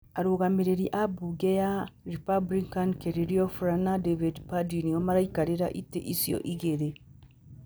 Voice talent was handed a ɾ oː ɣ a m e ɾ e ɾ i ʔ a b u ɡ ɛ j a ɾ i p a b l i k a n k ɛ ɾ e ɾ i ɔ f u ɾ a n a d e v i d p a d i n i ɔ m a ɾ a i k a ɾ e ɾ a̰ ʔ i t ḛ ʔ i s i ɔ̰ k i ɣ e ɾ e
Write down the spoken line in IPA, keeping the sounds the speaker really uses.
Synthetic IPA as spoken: a ɾ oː ɣ a m e ɾ e ɾ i ʔ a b u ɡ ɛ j a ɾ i p a b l i k a n k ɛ ɾ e ɾ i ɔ f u ɾ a n a d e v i d p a d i n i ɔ m a ɾ a i k a ɾ e ɾ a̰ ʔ i t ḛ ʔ i s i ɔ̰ ʔ i ɣ e ɾ e